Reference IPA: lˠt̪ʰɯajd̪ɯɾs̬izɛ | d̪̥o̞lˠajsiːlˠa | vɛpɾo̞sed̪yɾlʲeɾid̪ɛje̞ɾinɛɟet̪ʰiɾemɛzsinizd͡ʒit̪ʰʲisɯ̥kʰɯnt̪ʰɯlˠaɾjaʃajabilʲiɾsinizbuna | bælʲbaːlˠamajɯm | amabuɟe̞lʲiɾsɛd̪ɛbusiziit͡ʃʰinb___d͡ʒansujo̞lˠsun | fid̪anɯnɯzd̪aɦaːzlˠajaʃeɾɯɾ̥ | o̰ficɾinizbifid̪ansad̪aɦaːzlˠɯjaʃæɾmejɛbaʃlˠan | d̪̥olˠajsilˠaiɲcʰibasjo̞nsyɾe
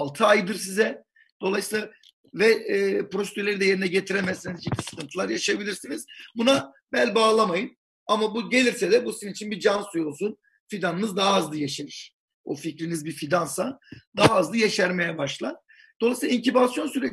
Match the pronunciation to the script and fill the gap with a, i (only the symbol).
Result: i